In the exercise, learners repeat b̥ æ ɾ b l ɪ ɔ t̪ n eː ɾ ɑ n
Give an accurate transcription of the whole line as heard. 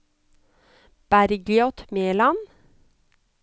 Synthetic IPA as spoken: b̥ æ ɾ ɡ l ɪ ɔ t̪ m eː l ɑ n